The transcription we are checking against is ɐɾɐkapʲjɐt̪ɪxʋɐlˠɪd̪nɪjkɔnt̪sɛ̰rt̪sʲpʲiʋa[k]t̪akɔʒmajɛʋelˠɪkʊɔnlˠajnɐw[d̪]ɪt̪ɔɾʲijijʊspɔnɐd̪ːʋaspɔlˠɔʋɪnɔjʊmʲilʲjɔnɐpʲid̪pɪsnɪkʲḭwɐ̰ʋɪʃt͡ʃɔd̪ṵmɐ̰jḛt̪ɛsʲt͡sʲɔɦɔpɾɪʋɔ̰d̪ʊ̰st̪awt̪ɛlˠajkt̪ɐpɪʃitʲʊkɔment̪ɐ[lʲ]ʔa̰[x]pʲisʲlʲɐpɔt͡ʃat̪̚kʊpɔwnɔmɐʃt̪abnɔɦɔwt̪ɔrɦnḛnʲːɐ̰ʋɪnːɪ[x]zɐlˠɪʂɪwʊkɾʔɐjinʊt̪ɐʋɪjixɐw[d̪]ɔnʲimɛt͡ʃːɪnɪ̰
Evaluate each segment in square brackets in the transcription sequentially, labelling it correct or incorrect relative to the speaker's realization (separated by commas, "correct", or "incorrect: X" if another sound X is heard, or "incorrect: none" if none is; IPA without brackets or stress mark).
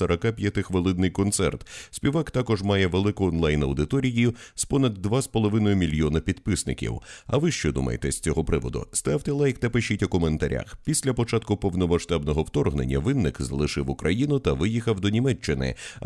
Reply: correct, correct, incorrect: ɾʲ, correct, incorrect: k, correct